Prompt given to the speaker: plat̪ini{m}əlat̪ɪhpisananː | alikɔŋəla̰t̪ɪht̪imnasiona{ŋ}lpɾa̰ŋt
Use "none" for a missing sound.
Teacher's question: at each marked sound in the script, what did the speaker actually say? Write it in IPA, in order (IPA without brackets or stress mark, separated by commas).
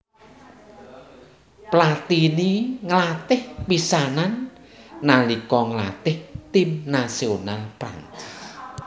ŋ, none